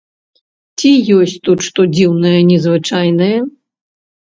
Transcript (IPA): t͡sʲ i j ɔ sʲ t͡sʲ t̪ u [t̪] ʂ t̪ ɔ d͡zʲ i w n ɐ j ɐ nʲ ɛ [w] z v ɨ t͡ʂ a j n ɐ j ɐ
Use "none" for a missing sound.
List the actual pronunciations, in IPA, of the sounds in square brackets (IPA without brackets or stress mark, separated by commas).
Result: t̪, none